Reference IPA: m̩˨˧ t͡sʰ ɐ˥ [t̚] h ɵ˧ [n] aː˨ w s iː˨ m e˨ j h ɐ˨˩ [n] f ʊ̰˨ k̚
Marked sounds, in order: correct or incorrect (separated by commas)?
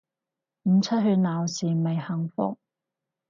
correct, correct, incorrect